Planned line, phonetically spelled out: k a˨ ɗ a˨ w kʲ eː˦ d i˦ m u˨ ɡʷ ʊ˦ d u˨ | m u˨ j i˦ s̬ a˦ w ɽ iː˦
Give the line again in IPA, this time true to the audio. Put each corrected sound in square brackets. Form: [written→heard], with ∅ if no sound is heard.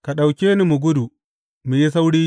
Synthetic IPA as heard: k a˨ ɗ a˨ w kʲ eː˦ [d→n] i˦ m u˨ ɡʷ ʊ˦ d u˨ | m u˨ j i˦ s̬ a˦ w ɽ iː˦